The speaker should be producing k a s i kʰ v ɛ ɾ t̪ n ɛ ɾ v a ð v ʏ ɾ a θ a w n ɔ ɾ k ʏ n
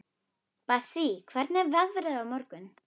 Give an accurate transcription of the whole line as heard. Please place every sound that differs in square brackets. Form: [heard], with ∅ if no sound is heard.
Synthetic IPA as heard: [p] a s i kʰ v ɛ ɾ t̪ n ɛ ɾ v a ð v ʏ ɾ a [ð] a w [m] ɔ ɾ k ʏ n